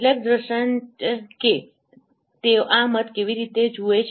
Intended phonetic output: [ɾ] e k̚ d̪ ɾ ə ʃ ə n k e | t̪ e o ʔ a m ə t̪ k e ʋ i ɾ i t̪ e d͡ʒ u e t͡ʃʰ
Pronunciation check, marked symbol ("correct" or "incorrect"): incorrect